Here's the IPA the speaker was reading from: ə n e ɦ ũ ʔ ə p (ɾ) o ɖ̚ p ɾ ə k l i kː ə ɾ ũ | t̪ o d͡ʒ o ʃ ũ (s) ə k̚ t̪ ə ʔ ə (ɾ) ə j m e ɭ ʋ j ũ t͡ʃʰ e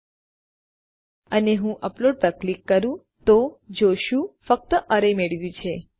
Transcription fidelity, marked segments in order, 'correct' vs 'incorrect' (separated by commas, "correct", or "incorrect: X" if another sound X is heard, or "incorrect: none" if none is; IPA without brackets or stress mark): incorrect: l, incorrect: f, correct